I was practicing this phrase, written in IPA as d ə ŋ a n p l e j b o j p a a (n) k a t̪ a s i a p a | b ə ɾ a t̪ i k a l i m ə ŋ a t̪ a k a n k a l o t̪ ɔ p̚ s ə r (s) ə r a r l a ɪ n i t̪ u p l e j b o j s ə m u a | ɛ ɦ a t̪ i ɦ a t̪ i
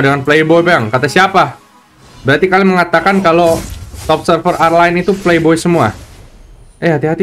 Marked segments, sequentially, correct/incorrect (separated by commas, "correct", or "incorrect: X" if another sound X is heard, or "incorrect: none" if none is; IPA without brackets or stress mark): incorrect: ŋ, incorrect: f